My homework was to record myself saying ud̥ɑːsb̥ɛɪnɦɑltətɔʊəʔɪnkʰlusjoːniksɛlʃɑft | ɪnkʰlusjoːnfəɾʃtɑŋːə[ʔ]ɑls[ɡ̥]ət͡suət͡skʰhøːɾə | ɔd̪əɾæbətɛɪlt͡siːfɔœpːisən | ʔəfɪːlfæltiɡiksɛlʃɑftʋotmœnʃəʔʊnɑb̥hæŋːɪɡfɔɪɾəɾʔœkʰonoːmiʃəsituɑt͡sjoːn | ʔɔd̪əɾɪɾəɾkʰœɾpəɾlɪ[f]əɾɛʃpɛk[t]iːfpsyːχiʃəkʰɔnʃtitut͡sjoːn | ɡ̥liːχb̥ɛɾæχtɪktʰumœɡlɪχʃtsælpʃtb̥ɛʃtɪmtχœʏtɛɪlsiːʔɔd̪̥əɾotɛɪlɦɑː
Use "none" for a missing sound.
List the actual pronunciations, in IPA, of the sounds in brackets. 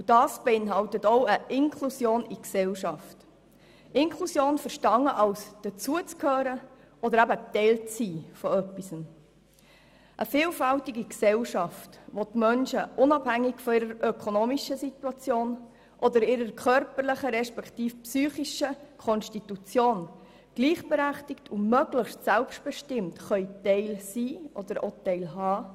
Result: ʔ, d̥, χ, t

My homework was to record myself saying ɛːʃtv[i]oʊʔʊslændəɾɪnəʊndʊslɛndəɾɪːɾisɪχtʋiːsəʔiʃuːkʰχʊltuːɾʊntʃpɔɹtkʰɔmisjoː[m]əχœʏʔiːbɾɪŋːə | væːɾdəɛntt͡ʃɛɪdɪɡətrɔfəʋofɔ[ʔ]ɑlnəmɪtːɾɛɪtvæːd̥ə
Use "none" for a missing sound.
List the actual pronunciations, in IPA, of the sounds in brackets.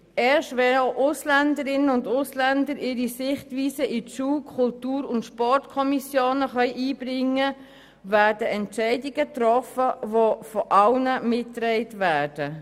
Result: ɛ, n, ʔ

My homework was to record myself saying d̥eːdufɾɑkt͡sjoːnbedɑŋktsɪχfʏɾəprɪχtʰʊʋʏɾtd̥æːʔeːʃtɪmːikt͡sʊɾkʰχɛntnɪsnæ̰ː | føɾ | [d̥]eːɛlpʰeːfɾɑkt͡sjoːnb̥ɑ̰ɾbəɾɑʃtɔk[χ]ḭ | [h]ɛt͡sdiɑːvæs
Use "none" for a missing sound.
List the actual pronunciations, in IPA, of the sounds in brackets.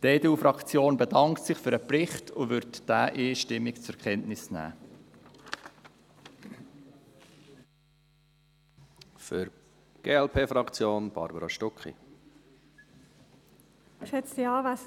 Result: ɡ̥, χ, ʃ

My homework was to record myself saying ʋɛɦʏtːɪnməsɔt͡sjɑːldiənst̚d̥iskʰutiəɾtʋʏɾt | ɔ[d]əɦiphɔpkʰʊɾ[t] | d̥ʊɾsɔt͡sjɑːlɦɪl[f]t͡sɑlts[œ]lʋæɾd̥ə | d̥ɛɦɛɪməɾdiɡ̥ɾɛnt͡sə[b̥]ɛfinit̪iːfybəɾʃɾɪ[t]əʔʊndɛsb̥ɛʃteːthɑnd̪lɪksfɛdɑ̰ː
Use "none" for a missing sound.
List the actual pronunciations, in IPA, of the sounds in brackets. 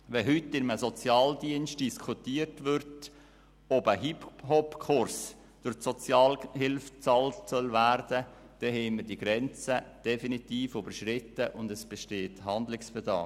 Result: b, s, f, œ, d̥, t

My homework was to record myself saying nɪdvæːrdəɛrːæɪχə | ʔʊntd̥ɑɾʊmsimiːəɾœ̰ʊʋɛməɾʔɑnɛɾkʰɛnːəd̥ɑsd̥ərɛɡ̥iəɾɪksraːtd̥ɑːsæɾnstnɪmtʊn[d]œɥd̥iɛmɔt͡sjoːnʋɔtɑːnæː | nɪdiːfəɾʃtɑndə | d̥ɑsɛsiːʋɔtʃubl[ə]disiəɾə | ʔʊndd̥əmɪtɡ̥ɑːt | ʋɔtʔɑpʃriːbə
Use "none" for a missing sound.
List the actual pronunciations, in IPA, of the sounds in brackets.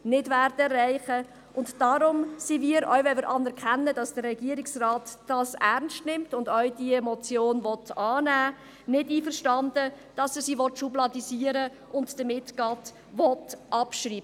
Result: d, ɑ

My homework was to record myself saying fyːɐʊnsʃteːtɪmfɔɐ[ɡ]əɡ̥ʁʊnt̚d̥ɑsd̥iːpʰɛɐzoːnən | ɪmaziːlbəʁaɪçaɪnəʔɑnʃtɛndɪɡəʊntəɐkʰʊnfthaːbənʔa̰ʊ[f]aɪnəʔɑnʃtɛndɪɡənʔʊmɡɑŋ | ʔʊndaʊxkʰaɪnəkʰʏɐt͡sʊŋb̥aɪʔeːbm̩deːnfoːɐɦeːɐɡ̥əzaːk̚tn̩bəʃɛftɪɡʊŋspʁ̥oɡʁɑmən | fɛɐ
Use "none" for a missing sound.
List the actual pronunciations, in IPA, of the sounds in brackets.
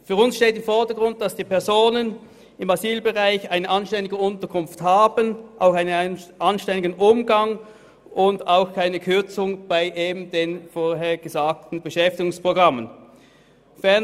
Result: d, x

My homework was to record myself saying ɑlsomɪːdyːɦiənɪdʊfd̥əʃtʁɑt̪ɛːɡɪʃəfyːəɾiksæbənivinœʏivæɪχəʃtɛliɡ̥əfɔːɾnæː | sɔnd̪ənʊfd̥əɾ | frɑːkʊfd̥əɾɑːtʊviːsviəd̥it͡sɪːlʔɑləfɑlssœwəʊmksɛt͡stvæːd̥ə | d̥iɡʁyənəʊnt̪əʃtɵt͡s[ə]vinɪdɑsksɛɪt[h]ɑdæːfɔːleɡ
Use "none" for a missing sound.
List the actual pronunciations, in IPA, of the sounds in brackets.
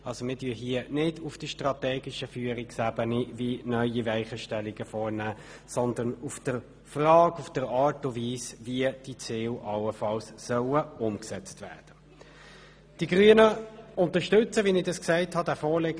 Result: ə, h

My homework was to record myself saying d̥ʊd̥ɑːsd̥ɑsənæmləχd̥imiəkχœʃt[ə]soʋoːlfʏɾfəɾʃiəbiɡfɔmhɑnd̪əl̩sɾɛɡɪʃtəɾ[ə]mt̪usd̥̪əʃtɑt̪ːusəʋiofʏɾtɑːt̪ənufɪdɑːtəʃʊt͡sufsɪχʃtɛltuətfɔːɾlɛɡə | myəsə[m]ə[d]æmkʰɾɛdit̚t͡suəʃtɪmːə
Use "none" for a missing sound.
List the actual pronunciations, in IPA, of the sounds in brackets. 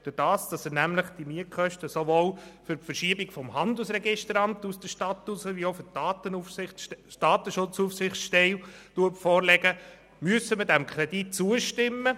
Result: ə, ɑ, m, d

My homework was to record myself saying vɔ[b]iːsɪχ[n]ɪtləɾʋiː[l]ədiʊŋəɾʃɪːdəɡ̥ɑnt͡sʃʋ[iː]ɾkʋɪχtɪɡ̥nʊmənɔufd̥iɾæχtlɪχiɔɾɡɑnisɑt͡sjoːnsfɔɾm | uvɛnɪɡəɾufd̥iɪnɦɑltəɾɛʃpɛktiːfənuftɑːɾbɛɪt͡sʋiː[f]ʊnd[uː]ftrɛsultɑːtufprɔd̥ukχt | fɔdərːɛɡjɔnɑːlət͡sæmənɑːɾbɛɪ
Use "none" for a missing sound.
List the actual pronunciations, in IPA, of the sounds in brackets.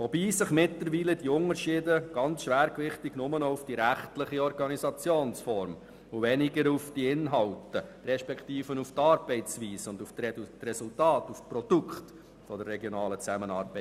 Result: b, m, l, æː, s, u

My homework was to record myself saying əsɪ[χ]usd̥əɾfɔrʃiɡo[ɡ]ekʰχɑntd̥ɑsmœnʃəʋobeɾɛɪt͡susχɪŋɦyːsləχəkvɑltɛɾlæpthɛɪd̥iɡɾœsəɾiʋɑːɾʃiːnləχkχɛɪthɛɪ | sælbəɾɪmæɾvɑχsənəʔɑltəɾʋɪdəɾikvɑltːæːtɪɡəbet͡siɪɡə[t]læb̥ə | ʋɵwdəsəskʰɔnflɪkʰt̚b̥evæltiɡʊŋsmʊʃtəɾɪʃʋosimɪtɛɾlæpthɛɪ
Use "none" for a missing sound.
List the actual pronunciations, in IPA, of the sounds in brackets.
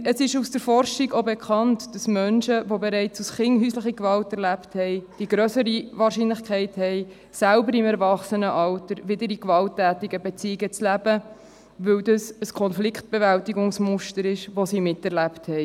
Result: ʃ, b, t͡s

